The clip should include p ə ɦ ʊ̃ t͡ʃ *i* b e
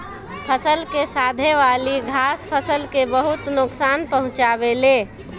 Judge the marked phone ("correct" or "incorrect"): incorrect